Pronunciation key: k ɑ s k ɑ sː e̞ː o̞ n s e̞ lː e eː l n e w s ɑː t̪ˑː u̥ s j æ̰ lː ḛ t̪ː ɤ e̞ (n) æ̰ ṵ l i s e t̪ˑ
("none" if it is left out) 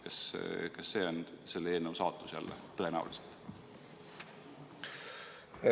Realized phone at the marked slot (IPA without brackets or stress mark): n